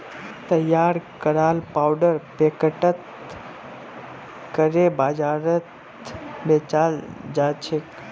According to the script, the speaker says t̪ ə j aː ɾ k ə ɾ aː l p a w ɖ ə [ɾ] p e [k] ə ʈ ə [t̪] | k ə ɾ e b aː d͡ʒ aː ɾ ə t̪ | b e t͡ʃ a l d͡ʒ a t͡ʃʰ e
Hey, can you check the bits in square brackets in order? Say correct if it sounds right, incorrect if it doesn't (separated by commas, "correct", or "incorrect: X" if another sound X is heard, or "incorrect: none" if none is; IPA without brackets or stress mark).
correct, correct, correct